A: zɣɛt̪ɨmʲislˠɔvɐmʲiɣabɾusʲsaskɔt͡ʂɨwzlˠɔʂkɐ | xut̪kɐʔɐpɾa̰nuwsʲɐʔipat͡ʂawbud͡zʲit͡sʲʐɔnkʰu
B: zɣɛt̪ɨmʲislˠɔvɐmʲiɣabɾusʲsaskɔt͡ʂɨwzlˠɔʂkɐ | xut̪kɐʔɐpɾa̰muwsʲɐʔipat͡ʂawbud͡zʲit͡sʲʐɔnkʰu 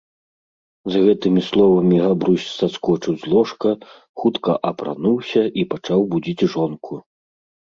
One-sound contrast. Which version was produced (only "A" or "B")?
A